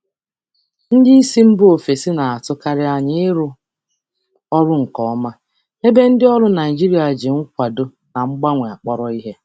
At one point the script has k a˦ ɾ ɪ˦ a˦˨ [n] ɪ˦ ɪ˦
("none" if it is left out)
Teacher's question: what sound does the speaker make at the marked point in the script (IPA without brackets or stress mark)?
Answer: ɲ